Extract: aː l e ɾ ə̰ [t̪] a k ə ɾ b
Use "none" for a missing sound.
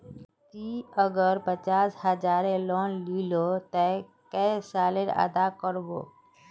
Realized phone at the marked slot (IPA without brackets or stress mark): d̪